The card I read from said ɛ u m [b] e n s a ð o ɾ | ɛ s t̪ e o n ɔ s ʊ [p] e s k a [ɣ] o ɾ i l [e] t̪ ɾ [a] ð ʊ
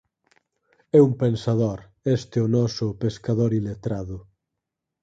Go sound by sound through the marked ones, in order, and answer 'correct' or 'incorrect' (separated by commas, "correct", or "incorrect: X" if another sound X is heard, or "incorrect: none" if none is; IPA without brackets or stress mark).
incorrect: p, correct, incorrect: ð, correct, correct